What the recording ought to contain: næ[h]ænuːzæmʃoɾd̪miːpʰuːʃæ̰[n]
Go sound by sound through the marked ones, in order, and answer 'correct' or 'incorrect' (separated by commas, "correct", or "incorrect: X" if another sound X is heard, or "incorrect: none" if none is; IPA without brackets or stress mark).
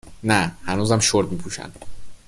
correct, correct